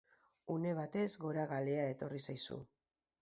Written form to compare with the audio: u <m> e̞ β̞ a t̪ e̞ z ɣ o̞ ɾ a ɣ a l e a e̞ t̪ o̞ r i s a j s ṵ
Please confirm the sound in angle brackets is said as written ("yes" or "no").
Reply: no